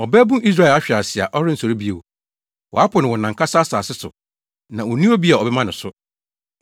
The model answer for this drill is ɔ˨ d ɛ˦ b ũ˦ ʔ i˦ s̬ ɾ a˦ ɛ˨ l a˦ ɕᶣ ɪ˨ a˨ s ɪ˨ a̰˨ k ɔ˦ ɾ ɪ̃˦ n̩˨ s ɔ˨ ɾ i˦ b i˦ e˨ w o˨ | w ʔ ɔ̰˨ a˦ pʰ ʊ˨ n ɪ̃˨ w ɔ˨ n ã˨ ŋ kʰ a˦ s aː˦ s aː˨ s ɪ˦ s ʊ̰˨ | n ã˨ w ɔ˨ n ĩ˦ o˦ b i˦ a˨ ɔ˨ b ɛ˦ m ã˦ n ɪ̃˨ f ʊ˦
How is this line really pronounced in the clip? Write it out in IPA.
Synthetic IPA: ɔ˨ b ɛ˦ b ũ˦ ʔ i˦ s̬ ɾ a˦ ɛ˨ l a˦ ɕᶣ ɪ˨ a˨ s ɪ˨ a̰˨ ʔ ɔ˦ ɾ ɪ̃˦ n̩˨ s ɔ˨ ɾ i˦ b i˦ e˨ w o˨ | w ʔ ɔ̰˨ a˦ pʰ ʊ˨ n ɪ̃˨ w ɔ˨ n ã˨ ŋ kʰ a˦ s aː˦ s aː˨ s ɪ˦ s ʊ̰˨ | n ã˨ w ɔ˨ n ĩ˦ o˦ b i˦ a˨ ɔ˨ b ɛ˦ m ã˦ n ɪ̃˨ s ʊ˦